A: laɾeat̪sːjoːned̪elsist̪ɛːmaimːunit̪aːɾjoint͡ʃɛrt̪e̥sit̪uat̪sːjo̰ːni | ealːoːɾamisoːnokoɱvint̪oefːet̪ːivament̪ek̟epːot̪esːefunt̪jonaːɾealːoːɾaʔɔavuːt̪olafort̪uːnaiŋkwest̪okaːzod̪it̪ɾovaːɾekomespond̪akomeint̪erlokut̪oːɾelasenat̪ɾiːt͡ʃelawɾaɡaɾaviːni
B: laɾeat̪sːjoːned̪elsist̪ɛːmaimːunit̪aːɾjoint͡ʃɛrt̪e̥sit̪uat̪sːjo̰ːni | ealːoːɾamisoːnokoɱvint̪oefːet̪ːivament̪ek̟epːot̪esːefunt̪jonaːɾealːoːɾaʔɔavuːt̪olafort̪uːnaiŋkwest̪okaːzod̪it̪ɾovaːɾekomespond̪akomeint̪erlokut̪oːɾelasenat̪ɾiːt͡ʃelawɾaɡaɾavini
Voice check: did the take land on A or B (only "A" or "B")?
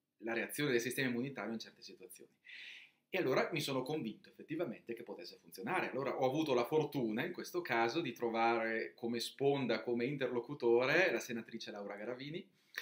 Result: A